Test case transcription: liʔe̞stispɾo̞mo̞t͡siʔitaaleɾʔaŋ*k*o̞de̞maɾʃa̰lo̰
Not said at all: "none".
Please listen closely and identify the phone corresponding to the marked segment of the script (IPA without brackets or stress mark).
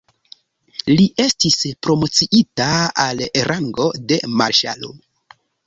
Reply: ɡ